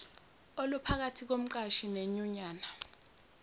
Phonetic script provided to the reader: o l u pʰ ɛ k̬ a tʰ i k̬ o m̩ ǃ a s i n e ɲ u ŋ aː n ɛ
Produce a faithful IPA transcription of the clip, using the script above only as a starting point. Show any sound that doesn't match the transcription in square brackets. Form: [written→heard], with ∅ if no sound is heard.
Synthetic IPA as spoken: o l u pʰ [ɛ→a] k̬ a tʰ i k̬ o m̩ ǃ a [s→ʃ] i n e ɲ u [ŋ→ɲ] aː n [ɛ→a]